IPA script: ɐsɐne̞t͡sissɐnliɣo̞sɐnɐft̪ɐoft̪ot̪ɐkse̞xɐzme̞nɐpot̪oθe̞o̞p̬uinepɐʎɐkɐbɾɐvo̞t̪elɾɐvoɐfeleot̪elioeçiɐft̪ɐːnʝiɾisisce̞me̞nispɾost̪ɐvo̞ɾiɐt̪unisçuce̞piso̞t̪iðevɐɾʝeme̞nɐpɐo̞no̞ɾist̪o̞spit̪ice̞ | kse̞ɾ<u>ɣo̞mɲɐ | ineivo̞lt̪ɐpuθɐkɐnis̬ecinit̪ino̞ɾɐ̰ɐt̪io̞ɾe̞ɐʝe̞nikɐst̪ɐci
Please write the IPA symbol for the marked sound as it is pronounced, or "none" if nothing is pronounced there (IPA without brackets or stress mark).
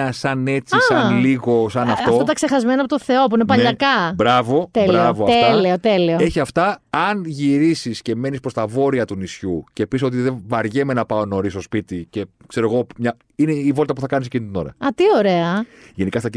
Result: o